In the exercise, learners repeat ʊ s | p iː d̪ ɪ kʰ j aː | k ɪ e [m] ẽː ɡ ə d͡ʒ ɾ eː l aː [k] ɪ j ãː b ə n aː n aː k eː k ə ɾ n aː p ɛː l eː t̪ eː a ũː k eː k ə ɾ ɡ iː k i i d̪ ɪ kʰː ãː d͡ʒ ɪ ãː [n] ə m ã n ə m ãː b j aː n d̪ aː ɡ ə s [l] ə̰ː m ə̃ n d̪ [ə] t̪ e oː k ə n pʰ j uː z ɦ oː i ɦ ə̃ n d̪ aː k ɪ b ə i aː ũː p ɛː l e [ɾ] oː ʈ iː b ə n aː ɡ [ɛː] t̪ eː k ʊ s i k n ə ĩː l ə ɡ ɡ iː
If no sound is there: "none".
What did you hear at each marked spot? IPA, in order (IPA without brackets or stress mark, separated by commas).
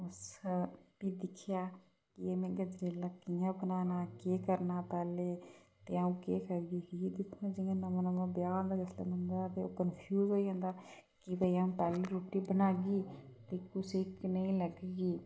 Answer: m, k, n, l, a, ɾ, iː